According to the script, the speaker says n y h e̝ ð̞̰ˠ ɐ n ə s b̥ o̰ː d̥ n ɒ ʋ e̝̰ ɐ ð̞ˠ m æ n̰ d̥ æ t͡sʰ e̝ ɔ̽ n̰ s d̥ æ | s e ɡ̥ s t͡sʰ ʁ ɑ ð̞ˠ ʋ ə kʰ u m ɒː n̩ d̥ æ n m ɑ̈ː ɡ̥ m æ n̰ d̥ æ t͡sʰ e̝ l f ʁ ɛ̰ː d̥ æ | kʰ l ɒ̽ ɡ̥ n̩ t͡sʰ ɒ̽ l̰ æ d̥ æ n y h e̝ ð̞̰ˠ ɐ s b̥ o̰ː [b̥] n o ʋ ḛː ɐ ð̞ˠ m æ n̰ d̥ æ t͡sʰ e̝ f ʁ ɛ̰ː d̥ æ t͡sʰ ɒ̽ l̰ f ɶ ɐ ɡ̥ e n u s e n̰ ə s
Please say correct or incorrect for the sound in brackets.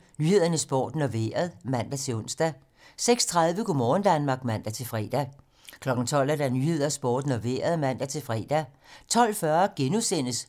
incorrect